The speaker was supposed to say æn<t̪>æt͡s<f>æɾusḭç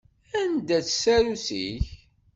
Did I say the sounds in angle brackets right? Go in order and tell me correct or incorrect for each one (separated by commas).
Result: incorrect, incorrect